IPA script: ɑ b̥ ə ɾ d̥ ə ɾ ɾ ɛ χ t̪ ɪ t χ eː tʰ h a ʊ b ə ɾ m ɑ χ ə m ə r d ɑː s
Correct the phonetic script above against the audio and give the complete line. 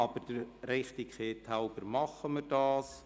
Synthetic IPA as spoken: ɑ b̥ ə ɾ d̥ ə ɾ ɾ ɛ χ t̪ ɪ k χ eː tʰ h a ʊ b ə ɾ m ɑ χ ə m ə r d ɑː s